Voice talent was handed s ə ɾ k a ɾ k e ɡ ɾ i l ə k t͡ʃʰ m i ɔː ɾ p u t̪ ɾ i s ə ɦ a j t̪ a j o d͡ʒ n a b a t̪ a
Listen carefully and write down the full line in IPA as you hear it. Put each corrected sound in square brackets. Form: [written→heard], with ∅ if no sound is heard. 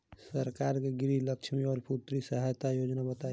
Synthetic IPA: s ə ɾ k a ɾ k e ɡ ɾ i l ə k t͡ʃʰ m i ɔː ɾ p u t̪ ɾ i s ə ɦ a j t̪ a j o d͡ʒ n a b [a→ə] t̪ a